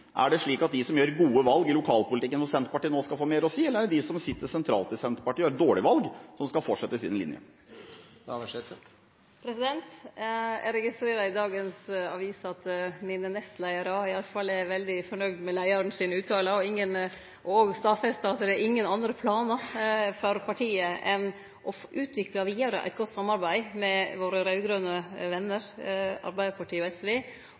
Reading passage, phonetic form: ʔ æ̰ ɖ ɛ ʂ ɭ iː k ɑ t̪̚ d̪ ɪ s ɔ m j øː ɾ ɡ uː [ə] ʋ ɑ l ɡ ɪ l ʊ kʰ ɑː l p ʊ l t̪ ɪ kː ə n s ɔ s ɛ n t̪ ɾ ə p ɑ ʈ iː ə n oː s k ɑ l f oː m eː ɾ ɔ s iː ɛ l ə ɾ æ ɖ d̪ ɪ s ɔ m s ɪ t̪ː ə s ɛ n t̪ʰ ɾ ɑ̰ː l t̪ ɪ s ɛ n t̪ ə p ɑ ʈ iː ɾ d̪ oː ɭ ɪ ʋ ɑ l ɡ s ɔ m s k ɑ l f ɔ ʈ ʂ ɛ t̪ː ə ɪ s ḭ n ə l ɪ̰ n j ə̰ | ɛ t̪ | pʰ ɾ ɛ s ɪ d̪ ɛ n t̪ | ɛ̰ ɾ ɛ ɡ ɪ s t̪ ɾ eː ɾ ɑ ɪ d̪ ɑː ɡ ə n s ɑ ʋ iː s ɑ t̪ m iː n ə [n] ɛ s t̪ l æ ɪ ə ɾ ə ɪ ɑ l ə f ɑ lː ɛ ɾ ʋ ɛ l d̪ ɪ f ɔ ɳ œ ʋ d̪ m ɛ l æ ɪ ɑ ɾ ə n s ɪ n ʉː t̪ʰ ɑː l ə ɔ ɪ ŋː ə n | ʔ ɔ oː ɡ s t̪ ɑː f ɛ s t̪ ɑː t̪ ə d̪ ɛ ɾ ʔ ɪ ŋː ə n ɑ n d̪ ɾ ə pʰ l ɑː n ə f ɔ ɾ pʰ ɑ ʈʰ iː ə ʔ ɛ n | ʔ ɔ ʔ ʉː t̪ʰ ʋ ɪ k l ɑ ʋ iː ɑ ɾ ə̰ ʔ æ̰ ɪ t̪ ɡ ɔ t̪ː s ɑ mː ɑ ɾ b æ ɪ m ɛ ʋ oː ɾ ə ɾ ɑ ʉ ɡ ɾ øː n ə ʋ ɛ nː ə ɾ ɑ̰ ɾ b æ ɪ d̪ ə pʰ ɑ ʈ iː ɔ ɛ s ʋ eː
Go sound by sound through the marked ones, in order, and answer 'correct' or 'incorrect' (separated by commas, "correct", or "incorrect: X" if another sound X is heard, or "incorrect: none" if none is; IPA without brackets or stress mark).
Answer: correct, correct